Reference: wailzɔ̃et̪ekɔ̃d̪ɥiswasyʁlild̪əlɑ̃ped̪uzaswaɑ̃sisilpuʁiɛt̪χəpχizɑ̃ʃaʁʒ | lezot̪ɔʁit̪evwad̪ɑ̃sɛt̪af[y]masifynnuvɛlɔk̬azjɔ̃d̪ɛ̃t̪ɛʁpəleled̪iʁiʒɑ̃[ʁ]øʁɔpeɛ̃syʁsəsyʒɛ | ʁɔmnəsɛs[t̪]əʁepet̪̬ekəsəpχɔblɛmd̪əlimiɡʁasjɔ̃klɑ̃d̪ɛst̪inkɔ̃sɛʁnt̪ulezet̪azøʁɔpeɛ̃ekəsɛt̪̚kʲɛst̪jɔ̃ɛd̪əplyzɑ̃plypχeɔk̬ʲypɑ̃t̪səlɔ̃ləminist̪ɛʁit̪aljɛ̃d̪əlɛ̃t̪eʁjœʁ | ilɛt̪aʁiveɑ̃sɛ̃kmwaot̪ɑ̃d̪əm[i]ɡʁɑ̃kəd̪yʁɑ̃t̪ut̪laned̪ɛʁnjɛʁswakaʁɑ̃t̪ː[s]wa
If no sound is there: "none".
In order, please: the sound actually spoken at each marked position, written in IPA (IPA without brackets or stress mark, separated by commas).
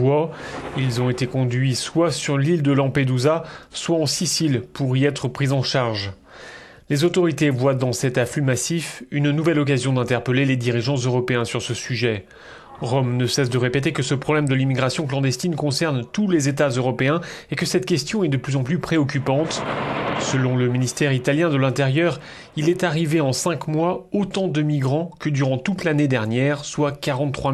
y, z, d̪, i, χ